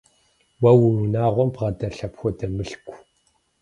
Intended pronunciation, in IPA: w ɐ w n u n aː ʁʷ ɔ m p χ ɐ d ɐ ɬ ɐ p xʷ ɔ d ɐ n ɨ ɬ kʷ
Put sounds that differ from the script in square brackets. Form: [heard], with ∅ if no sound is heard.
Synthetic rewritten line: w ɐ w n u n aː ʁʷ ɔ m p [ʁ] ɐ d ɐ ɬ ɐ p xʷ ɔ d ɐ [m] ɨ ɬ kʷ